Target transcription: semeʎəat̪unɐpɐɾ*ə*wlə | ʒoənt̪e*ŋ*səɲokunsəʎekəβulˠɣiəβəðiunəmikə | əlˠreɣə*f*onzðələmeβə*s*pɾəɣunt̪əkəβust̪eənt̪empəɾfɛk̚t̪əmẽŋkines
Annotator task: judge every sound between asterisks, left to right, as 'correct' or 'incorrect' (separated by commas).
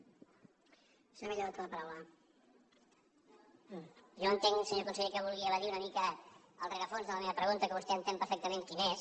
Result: incorrect, correct, correct, incorrect